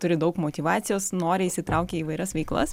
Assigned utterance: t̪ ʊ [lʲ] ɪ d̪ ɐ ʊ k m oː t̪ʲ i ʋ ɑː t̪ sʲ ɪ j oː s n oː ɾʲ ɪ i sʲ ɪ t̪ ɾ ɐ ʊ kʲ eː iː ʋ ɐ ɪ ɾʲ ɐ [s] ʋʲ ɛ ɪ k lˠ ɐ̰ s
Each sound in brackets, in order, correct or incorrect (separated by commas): incorrect, correct